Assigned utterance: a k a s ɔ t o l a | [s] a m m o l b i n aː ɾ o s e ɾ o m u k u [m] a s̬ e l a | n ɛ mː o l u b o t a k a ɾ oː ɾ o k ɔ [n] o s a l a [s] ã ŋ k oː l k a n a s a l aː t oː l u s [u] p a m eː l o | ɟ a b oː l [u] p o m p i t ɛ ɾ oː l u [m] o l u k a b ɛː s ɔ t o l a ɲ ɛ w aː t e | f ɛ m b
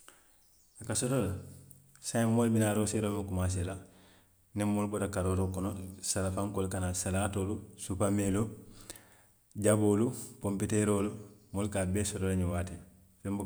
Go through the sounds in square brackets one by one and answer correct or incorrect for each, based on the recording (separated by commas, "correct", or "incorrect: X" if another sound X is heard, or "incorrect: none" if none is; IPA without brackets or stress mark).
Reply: correct, correct, correct, incorrect: f, correct, correct, correct